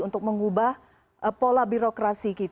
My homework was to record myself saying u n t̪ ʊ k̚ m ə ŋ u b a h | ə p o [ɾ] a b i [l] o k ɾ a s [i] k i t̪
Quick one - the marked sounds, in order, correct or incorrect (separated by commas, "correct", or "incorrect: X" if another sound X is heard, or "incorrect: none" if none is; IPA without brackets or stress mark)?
incorrect: l, incorrect: ɾ, correct